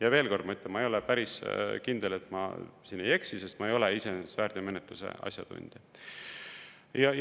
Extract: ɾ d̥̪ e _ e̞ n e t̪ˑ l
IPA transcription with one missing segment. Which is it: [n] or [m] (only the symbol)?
m